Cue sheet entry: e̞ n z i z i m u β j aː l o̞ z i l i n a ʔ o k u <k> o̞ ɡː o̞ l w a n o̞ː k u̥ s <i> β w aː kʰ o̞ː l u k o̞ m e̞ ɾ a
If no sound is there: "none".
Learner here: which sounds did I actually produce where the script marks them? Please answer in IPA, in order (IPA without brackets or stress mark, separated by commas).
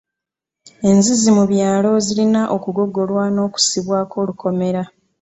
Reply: ɡ, i